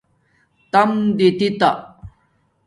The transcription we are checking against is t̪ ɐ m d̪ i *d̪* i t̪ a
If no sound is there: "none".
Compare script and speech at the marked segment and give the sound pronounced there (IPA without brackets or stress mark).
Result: t̪